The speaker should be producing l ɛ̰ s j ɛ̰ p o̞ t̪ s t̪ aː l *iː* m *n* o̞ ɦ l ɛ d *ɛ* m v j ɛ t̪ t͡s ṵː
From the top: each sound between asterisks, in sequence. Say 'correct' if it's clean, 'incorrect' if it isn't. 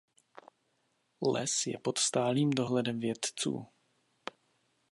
correct, incorrect, correct

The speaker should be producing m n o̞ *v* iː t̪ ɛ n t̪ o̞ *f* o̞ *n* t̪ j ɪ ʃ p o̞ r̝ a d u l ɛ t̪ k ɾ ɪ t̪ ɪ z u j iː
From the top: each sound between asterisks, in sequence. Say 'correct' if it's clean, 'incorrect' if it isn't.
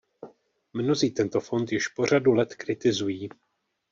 incorrect, correct, correct

